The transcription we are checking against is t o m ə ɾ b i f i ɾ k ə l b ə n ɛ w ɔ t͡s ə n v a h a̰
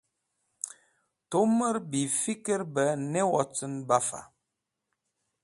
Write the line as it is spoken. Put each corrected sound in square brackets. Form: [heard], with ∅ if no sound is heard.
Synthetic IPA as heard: t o m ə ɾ b i f i [∅] k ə [ɾ] b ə n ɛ w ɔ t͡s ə n [b] a [f] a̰